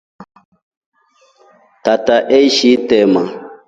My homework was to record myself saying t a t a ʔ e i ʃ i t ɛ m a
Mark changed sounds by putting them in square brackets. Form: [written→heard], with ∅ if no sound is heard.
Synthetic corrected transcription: t a t a ʔ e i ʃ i t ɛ m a